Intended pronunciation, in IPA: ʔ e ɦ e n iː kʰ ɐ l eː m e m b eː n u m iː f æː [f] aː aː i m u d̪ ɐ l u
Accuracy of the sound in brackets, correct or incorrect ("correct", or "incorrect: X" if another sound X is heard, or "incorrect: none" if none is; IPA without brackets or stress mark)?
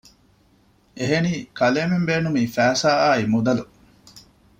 incorrect: s